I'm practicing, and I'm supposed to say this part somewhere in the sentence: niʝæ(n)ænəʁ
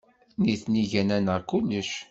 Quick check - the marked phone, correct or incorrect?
correct